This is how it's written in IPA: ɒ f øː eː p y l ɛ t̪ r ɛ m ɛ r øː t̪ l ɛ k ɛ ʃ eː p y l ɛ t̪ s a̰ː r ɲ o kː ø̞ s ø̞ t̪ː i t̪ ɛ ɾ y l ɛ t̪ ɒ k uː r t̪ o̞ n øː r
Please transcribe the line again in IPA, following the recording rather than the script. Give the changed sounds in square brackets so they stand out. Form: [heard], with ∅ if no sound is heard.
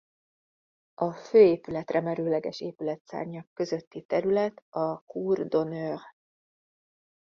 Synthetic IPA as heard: ɒ f øː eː p y l ɛ t̪ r ɛ m ɛ [ɾ] øː [∅] l ɛ [ɡ] ɛ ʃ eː p y l ɛ t̪ s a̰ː r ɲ [ɒ] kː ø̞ [z] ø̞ t̪ː i t̪ ɛ ɾ y l ɛ t̪ ɒ k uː r [d̪] o̞ n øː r